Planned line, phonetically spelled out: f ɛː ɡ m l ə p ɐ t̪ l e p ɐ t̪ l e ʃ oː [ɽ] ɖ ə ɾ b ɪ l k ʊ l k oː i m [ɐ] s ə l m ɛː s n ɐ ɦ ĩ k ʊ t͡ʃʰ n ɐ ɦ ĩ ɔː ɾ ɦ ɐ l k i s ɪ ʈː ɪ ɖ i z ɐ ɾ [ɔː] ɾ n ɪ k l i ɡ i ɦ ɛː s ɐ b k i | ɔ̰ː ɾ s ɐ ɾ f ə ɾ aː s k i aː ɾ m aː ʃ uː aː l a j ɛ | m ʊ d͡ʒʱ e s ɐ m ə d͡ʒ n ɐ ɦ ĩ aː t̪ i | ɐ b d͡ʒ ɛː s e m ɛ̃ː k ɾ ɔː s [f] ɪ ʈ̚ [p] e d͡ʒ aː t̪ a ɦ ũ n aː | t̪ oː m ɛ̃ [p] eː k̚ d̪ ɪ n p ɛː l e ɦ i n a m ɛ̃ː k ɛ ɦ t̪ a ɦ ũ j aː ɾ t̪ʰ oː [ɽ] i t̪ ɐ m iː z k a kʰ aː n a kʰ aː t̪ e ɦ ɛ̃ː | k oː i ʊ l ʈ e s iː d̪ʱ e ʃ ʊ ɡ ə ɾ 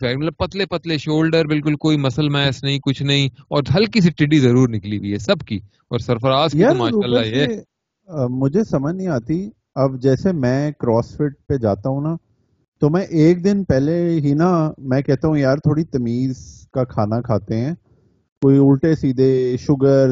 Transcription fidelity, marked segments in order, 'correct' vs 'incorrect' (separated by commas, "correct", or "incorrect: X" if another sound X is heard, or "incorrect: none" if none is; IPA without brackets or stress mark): incorrect: l, correct, incorrect: uː, correct, correct, incorrect: ʔ, correct